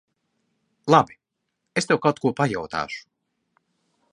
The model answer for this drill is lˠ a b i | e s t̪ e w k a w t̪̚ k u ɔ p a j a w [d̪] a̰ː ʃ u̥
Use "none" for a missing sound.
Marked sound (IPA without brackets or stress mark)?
t̪